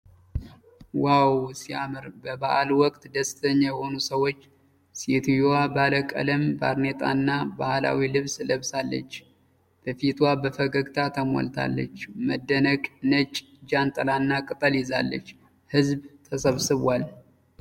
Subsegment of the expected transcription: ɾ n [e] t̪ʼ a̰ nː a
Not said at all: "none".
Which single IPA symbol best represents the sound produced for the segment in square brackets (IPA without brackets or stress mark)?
e